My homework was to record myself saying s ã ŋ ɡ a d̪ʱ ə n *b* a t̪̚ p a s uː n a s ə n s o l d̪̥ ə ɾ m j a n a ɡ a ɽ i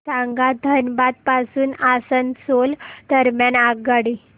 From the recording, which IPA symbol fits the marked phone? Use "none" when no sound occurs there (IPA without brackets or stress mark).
b